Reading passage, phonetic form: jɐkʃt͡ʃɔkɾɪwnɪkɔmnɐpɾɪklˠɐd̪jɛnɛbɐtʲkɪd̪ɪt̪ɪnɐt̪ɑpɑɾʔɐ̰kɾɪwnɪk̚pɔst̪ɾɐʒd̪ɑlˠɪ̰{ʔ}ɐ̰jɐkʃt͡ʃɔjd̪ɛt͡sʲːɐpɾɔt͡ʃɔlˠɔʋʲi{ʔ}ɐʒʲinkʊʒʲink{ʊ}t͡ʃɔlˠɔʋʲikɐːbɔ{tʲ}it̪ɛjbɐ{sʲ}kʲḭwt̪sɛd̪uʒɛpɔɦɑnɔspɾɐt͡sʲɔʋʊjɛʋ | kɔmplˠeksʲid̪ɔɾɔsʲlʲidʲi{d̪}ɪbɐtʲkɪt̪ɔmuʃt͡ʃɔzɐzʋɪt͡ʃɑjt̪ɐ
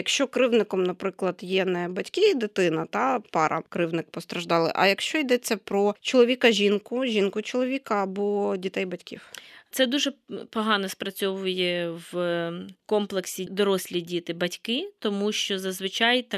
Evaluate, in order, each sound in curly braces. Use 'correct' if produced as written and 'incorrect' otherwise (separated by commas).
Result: correct, incorrect, correct, incorrect, incorrect, incorrect